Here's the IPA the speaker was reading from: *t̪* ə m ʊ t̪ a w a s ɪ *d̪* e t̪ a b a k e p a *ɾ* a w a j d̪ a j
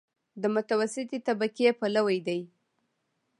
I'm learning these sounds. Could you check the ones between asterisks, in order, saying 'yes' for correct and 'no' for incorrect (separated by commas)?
no, no, no